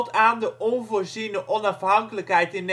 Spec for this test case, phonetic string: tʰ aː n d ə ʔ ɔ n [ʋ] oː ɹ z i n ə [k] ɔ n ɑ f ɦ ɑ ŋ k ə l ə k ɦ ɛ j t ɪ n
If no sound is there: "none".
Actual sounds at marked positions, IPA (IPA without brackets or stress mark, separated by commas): v, ʔ